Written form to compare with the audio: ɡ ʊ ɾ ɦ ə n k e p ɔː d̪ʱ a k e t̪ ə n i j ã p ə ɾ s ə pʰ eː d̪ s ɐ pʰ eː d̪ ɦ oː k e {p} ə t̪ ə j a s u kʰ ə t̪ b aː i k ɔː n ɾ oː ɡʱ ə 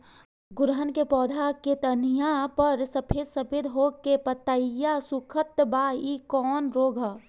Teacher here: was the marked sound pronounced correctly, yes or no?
yes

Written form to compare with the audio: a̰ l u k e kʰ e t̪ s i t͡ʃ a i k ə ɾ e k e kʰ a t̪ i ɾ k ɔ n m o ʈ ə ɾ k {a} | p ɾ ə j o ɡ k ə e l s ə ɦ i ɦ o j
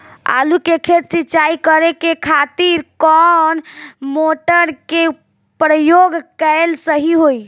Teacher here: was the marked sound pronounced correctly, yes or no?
no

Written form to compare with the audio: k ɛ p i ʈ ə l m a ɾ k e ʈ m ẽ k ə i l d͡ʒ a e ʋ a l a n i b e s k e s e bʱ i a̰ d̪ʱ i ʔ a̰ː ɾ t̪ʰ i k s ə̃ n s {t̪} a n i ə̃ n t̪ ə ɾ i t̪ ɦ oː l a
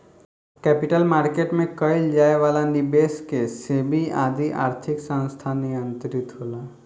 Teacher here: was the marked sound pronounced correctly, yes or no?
no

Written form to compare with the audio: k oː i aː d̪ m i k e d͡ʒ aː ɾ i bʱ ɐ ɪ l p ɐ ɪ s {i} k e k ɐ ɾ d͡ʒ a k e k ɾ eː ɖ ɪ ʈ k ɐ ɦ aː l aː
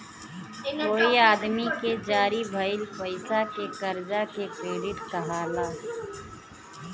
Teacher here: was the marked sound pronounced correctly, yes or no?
no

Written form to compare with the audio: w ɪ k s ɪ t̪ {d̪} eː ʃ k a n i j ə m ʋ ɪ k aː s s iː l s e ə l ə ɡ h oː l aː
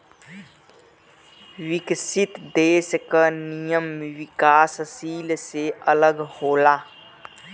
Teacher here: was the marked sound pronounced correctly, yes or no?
yes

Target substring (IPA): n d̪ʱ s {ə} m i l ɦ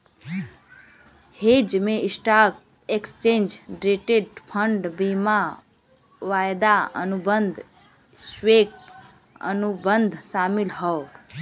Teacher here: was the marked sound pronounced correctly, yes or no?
no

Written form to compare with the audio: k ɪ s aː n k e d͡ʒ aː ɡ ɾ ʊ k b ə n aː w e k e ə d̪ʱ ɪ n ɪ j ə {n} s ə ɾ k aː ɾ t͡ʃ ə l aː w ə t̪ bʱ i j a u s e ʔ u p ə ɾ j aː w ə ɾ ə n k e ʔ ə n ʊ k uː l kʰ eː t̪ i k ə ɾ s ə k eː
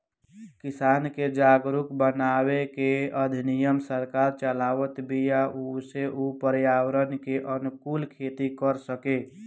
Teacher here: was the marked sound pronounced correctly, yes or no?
no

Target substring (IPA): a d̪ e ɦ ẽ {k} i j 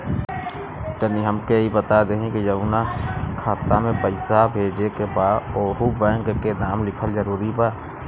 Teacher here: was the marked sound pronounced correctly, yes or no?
yes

